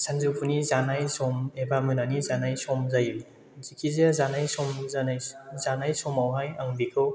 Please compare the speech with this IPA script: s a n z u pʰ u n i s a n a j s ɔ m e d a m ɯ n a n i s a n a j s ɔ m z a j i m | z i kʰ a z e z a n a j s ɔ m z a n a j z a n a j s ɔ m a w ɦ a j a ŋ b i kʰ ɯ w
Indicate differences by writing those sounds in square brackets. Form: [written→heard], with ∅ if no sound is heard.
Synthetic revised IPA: s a n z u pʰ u n i [s→z] a n a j s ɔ m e [d→b] a m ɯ n a n i [s→z] a n a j s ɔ m z a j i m | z i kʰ [a→i] z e z a n a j s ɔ m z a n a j z a n a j s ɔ m a w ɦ a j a ŋ b i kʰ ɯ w